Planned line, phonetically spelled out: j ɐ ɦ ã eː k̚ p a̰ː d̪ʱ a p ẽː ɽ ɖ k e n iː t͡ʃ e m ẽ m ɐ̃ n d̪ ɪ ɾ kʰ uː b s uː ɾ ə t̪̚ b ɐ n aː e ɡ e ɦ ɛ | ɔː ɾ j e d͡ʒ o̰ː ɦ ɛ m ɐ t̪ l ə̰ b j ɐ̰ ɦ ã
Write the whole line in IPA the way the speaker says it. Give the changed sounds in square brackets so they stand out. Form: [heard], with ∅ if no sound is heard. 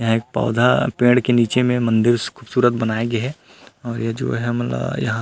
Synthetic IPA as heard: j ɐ ɦ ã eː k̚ p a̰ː d̪ʱ a p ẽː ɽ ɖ k e n iː t͡ʃ e m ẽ m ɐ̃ n d̪ ɪ ɾ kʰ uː b s uː ɾ ə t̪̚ b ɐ n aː e ɡ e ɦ ɛ | ɔː ɾ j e d͡ʒ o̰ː ɦ ɛ m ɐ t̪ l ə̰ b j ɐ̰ ɦ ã